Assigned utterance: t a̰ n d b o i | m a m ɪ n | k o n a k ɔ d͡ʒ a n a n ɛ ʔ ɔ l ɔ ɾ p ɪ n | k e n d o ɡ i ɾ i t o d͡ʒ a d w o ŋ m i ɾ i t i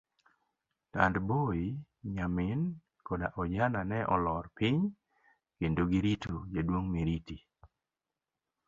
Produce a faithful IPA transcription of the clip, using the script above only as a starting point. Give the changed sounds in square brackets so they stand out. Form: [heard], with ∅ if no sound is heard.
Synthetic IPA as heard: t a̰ n d b o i | [ɲ] a m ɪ n | k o [d] a [ʔ] ɔ d͡ʒ a n a n ɛ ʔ ɔ l ɔ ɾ p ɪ [ɲ] | k e n d o ɡ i ɾ i t o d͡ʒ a d w o ŋ m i ɾ i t i

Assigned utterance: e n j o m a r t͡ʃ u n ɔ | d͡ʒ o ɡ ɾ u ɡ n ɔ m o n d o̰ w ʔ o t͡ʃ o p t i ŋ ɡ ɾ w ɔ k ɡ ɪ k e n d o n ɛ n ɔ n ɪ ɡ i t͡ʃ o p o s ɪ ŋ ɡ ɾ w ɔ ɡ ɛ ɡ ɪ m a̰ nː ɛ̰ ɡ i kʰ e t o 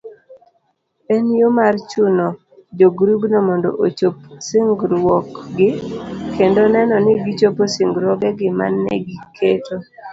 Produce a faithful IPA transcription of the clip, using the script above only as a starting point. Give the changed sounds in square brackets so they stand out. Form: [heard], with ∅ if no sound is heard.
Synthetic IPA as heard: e n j o m a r t͡ʃ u n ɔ | d͡ʒ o ɡ ɾ u ɡ n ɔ m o n d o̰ [∅] ʔ o t͡ʃ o p [s] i ŋ ɡ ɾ w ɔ k ɡ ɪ k e n d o n ɛ n ɔ n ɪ ɡ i t͡ʃ o p o s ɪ ŋ ɡ ɾ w ɔ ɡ ɛ ɡ ɪ m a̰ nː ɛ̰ ɡ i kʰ e t o

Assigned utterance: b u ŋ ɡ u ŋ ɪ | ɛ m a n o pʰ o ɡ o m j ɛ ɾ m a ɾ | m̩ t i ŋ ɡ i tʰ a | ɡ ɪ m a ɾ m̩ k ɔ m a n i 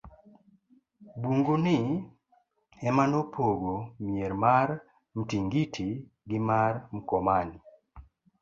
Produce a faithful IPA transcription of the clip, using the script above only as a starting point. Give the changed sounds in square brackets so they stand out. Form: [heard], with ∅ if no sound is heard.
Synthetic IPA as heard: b u ŋ ɡ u [n] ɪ | ɛ m a n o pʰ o ɡ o m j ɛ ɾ m a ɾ | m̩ t i ŋ ɡ i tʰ [i] | ɡ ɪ m a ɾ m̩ k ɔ m a n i

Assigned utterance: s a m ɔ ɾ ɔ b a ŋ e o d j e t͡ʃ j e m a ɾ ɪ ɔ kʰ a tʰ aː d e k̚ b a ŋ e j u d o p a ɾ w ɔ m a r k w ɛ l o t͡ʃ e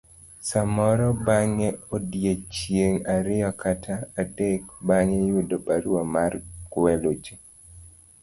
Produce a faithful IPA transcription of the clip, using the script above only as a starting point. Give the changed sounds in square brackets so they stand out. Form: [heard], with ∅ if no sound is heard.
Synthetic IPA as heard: s a m ɔ ɾ ɔ b a ŋ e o d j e t͡ʃ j e [ŋ] a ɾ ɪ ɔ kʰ a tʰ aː d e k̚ b a ŋ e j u d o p a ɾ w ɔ m a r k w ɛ l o t͡ʃ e

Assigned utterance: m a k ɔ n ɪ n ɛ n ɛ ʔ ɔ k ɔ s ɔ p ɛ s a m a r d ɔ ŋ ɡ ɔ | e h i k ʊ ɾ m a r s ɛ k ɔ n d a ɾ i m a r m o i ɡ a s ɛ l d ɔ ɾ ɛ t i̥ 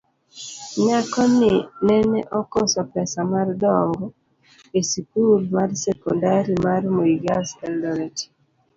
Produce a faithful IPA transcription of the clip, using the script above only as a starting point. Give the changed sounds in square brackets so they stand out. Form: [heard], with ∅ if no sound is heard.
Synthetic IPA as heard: [ɲ] a k ɔ n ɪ n ɛ n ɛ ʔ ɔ k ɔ s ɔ p ɛ s a m a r d ɔ ŋ ɡ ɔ | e [s] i k [u] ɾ m a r s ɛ k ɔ n d a ɾ i m a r m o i ɡ a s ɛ l d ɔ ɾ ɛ t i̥

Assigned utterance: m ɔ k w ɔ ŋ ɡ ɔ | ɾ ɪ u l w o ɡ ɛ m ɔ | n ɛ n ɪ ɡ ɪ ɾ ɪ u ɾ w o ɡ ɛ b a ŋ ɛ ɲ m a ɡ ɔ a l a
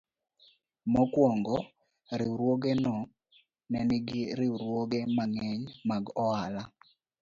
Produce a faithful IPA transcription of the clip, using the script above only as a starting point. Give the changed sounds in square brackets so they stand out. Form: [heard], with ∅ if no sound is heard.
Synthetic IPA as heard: m ɔ k w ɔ ŋ ɡ ɔ | ɾ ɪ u [ɾ] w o ɡ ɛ [n] ɔ | n ɛ n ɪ ɡ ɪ ɾ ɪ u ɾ w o ɡ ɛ [m] a ŋ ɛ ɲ m a ɡ ɔ a l a

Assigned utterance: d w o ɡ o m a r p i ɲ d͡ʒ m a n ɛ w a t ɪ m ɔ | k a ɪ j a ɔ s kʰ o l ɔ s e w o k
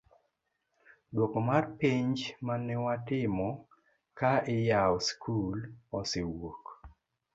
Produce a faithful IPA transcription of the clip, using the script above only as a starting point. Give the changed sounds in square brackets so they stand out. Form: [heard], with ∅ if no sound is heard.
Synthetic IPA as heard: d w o [k] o m a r p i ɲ d͡ʒ m a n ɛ w a t ɪ m ɔ | k a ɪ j a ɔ s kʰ [u] l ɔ s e w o k

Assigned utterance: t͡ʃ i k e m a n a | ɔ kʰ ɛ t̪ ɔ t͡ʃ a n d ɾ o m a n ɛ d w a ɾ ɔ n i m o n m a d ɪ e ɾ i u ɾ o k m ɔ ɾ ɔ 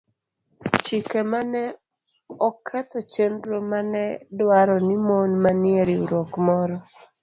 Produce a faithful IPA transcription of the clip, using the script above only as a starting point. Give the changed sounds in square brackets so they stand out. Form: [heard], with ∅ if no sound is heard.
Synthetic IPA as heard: t͡ʃ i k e m a n [ɛ] | ɔ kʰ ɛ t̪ ɔ t͡ʃ [e] n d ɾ o m a n ɛ d w a ɾ ɔ n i m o n m a [n] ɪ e ɾ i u ɾ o k m ɔ ɾ ɔ

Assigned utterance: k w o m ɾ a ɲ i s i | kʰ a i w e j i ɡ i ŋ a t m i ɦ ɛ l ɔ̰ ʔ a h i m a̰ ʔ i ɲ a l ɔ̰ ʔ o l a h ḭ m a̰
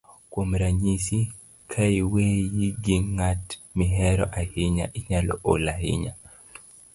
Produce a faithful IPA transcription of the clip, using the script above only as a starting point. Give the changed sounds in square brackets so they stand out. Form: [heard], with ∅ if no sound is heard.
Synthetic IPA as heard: k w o m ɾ a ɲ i s i | kʰ a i w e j i ɡ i ŋ a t m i ɦ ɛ [ɾ] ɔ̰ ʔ a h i [ɲ] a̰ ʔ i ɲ a l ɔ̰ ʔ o l a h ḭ [ɲ] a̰

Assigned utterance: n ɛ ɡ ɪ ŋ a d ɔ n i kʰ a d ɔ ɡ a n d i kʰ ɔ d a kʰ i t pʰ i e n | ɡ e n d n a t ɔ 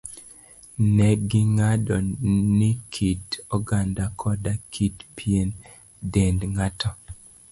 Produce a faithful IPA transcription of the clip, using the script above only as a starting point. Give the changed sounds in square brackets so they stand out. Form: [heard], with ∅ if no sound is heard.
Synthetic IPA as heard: n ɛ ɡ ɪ ŋ a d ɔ n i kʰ [i] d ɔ ɡ a n d [a] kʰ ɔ d a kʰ i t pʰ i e n | [d] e n d [ŋ] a t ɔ

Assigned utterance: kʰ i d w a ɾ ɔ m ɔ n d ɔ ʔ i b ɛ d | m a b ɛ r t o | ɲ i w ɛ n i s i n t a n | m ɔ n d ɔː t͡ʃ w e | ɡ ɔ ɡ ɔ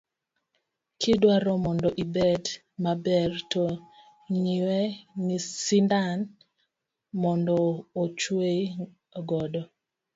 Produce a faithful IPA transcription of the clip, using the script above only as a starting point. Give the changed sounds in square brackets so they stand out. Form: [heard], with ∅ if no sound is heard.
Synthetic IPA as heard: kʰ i d w a ɾ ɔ m ɔ n d ɔ ʔ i b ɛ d | m a b ɛ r t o | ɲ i w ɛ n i s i n [d] a n | m ɔ n d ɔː t͡ʃ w e | ɡ ɔ [d] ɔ

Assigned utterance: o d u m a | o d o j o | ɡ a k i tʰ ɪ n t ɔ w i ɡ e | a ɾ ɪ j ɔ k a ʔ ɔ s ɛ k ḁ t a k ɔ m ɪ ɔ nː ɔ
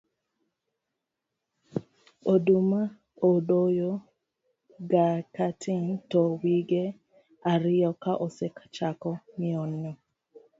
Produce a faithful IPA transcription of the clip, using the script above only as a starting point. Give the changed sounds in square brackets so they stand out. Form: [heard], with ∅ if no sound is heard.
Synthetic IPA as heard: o d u m a | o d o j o | ɡ a k [a] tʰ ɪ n t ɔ w i ɡ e | a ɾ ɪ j ɔ k a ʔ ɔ s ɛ k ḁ [t͡ʃ] a k ɔ m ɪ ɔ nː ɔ

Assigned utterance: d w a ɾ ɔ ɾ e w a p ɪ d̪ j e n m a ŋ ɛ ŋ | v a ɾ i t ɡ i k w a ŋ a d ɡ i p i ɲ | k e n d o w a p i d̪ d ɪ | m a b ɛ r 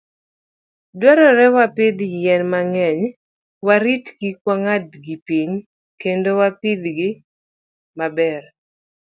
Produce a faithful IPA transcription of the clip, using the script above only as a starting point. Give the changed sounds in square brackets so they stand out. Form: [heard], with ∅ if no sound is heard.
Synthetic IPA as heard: d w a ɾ ɔ ɾ [ɛ] w a p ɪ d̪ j [ɛ] n m a ŋ ɛ [ɲ] | [w] a ɾ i t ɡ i k w a ŋ a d ɡ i p i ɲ | k e n d o w a p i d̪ [ɡ] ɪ | m a b ɛ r

